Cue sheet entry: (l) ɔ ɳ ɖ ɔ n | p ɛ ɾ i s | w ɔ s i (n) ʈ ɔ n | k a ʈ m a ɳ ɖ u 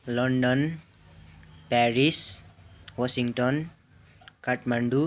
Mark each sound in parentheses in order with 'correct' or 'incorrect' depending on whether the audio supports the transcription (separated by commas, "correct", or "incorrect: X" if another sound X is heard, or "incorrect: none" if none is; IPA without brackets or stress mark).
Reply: correct, incorrect: ŋ